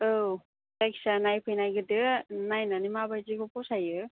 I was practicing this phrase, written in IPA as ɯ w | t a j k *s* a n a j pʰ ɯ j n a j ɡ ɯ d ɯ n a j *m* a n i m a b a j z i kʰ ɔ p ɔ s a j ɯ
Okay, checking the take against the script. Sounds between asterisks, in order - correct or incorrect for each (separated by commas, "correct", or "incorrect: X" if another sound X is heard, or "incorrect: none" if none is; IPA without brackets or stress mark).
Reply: correct, incorrect: n